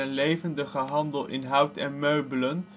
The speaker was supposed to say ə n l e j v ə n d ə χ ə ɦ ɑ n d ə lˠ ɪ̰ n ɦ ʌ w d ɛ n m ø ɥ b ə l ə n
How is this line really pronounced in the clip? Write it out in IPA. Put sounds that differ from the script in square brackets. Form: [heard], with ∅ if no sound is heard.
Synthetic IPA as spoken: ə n l e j v ə n d ə χ ə ɦ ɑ n d ə lˠ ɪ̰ n ɦ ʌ w [t] ɛ n m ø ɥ b ə l ə n